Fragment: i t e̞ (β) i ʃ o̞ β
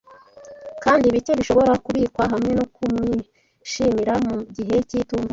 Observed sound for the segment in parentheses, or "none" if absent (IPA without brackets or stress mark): β